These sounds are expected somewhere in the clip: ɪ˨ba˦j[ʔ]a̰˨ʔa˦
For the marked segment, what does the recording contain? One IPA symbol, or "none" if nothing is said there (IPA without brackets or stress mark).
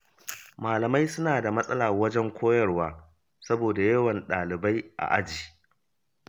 ʔ